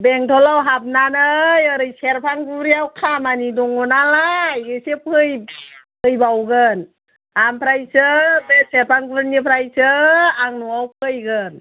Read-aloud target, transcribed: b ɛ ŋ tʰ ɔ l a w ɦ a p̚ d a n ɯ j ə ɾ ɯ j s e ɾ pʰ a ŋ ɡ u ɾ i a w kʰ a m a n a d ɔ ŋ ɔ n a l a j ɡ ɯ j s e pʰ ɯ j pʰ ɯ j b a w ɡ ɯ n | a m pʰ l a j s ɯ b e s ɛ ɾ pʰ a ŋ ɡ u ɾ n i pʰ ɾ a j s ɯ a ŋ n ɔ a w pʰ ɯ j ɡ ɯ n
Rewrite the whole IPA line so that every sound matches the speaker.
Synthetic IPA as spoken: b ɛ ŋ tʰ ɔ l a w ɦ a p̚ n a n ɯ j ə ɾ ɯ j s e ɾ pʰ a ŋ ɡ u ɾ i a w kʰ a m a n i d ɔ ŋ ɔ n a l a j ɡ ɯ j s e pʰ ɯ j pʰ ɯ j b a w ɡ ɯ n | a m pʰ ɾ a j s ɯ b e s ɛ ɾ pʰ a ŋ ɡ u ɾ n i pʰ ɾ a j s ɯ a ŋ n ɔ a w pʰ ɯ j ɡ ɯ n